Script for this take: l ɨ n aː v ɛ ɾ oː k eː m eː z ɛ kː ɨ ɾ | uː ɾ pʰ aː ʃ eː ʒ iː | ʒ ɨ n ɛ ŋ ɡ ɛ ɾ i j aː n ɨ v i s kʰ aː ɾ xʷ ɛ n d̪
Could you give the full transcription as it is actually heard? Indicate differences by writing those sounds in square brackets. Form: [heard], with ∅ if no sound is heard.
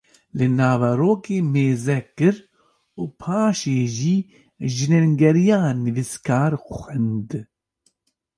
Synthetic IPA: l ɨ n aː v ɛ ɾ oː k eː m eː z ɛ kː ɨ ɾ | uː [∅] pʰ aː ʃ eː ʒ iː | ʒ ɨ n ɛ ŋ ɡ ɛ ɾ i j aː n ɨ v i s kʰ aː ɾ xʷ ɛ n d̪